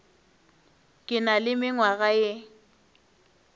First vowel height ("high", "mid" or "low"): high